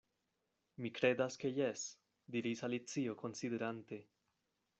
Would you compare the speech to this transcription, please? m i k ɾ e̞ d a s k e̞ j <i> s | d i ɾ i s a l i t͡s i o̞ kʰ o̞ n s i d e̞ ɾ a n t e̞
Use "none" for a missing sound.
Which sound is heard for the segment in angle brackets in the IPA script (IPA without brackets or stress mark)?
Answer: e